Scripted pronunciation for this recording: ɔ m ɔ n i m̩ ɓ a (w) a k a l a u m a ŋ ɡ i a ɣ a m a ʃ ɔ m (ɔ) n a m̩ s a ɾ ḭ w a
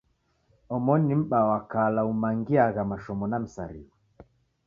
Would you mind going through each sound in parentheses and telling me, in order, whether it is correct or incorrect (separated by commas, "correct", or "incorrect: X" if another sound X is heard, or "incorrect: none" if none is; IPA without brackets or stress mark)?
correct, correct